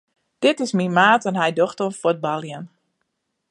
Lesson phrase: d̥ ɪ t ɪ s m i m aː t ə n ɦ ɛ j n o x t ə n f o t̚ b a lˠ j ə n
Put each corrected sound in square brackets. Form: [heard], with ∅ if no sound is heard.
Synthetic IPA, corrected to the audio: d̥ ɪ t ɪ s m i m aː t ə n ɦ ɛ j [d] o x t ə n f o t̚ b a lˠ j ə n

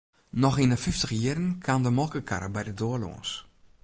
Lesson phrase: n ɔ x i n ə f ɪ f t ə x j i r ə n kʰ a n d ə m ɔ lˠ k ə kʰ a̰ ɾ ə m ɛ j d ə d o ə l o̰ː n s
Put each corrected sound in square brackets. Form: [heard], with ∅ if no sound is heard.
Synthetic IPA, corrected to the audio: n ɔ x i n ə f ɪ f t ə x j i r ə n kʰ a n d ə m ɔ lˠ k ə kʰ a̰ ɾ ə [b] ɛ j d ə d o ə l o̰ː n s

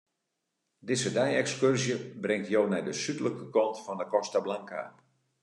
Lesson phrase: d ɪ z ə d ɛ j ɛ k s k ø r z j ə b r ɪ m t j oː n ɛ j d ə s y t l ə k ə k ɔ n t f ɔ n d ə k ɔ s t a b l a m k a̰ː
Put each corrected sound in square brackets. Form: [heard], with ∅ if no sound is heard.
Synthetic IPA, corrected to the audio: d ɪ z ə d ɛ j ɛ k s k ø r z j ə b r ɪ [ŋ] t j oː n ɛ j d ə s y t l ə k ə k ɔ n t f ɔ n d ə k ɔ s t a b l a [ŋ] k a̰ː

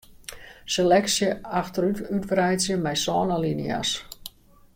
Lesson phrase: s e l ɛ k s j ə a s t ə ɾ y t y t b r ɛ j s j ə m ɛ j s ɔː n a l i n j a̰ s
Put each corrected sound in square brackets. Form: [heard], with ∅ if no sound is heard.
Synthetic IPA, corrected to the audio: s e l ɛ k s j ə a [x] t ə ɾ y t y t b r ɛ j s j ə m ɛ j s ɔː n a l i n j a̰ s

